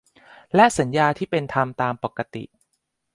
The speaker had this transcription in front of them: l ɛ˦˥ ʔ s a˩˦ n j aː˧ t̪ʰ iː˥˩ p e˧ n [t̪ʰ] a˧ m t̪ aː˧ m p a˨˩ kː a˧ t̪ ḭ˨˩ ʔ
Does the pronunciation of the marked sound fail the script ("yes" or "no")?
no